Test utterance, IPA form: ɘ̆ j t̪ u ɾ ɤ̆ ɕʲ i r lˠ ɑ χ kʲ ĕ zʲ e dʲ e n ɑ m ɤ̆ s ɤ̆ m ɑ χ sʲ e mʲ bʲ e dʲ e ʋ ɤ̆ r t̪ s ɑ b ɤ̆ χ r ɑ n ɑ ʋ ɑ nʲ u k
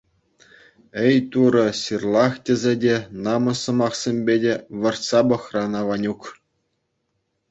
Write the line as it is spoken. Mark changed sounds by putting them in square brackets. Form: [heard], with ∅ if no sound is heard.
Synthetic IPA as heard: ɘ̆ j t̪ u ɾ ɤ̆ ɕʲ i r lˠ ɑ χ [tʲ] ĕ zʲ e dʲ e n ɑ m ɤ̆ s ɤ̆ m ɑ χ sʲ e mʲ bʲ e dʲ e ʋ ɤ̆ r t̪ s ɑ b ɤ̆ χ r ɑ n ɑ ʋ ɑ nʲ u k